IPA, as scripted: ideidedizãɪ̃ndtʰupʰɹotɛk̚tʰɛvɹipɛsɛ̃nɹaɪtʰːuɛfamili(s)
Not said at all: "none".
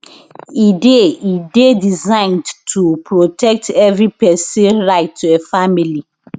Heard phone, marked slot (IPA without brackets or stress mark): none